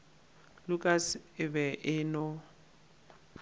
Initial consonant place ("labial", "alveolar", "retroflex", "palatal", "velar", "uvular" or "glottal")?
alveolar